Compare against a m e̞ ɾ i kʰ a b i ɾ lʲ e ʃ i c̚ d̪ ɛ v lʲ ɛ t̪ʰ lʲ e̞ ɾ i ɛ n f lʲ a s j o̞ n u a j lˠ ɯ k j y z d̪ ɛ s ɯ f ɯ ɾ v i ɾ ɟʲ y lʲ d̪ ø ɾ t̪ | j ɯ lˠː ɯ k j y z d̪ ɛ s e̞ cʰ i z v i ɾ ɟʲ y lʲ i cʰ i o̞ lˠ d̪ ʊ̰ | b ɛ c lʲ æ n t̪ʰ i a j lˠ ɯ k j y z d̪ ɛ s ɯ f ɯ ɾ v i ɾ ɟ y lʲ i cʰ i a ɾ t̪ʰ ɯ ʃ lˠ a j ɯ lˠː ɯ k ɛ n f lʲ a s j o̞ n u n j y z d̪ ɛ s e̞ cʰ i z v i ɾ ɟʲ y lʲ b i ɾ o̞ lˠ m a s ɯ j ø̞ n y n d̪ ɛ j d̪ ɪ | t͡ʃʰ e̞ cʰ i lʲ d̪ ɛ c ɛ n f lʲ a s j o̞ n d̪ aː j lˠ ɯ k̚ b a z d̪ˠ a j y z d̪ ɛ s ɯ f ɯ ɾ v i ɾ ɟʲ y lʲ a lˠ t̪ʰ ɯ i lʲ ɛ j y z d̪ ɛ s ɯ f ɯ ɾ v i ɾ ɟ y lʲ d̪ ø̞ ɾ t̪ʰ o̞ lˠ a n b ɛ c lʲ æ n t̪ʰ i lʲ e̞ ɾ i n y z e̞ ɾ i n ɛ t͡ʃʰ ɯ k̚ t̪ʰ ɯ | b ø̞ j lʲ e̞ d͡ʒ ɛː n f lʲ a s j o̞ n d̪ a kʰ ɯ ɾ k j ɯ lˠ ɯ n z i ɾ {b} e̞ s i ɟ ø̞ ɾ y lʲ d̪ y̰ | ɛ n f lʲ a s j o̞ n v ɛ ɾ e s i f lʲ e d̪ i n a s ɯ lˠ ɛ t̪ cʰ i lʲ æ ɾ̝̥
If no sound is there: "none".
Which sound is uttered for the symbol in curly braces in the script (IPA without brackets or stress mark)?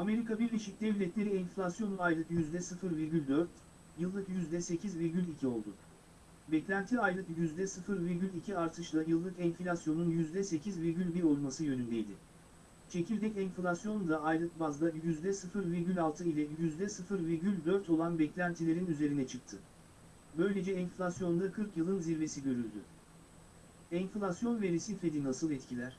v